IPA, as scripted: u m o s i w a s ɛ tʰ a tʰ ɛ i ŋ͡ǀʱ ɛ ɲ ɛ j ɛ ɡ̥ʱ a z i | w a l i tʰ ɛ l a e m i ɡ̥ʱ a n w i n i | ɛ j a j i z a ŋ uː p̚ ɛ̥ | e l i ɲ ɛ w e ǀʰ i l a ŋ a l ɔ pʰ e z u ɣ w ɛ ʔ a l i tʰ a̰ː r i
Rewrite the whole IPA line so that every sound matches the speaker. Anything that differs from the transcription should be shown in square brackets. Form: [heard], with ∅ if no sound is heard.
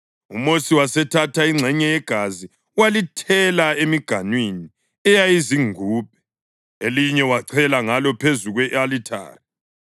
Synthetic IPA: u m o s i w a s ɛ tʰ a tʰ [a] i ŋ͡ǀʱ ɛ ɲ ɛ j ɛ ɡ̥ʱ a z i | w a l i tʰ ɛ l a e m i ɡ̥ʱ a n w i n i | ɛ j a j i z [i] ŋ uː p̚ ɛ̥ | e l i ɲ ɛ w [a] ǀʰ [ɛ] l a ŋ a l ɔ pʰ e z u ɣ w ɛ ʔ a l i tʰ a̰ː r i